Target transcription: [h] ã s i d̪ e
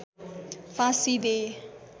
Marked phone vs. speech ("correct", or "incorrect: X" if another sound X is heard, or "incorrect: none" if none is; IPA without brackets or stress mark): incorrect: f